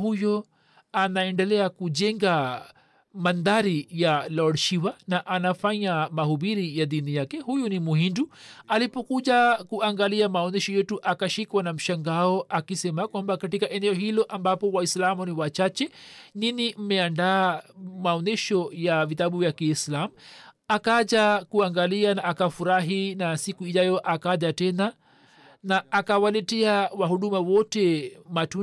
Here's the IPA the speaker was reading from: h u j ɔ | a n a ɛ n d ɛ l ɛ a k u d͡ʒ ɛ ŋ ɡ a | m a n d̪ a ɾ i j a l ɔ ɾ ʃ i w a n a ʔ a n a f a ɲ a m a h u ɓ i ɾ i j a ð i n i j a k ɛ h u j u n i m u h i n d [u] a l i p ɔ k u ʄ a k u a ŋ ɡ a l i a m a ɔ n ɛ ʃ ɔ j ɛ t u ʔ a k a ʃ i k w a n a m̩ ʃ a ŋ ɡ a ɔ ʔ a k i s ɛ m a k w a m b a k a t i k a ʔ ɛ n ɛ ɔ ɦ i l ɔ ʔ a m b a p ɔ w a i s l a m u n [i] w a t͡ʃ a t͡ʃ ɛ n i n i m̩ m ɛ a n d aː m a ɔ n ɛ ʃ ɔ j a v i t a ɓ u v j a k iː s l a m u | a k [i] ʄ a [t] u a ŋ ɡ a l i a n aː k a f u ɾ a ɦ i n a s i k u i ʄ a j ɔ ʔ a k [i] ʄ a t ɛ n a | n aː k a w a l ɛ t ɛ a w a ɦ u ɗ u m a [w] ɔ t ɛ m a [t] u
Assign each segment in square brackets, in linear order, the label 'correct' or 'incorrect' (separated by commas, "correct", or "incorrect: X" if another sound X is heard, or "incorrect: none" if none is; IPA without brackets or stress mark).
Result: correct, correct, incorrect: a, incorrect: k, incorrect: a, correct, correct